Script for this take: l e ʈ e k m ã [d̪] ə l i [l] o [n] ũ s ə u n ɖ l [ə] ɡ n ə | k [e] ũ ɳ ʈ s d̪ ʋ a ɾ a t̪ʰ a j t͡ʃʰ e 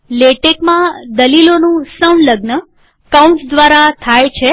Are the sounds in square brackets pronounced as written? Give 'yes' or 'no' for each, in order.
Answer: yes, yes, yes, yes, no

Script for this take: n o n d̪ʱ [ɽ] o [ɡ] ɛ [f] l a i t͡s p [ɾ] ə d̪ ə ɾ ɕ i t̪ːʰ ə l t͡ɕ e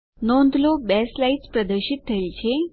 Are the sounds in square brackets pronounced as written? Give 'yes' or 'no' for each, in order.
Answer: no, no, no, yes

